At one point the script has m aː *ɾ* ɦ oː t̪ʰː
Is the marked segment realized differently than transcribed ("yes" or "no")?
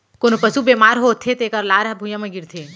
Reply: no